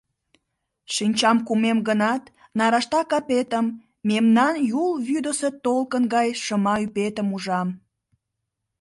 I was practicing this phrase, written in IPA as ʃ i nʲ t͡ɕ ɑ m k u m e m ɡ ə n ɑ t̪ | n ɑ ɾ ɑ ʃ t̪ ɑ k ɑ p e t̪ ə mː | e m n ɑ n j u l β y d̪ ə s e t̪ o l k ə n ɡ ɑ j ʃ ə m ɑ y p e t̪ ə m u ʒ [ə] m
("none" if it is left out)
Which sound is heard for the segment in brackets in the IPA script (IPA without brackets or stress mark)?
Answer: ɑ